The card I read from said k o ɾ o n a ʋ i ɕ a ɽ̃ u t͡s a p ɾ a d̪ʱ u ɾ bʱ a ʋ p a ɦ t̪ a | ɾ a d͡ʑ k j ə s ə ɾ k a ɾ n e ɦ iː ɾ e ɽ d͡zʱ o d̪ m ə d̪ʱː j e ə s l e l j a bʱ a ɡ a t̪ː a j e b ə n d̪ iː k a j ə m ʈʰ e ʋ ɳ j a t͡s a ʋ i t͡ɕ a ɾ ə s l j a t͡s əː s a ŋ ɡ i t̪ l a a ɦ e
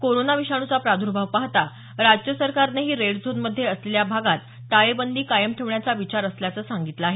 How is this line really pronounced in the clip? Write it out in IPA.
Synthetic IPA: k o ɾ o n a ʋ i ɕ a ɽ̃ u t͡s a p ɾ a d̪ʱ u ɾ bʱ a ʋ p a ɦ t̪ a | ɾ a d͡ʑ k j ə s ə ɾ k a ɾ n e ɦ iː ɾ e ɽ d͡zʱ o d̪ m ə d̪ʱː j e ə s l e l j a bʱ a ɡ a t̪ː a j e b ə n d̪ iː k a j ə m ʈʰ e ʋ ɳ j a t͡s a ʋ i t͡ɕ a ɾ ə s l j a t͡s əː s a ŋ ɡ i t̪ l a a ɦ e